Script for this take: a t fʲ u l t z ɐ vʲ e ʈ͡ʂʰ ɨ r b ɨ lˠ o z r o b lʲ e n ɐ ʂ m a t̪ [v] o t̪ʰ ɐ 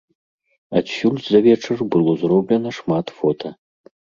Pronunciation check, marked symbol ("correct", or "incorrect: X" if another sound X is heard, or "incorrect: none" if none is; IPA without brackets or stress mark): incorrect: f